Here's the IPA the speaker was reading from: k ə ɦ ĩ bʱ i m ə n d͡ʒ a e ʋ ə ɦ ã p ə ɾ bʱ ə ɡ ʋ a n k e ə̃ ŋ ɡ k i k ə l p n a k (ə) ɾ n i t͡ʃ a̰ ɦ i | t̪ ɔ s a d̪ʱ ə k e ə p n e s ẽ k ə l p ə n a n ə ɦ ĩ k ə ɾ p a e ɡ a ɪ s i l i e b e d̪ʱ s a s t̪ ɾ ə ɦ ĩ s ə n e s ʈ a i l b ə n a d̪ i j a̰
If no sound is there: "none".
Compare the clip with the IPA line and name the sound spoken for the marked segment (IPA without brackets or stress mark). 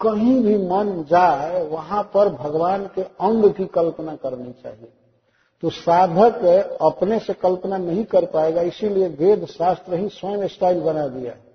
ə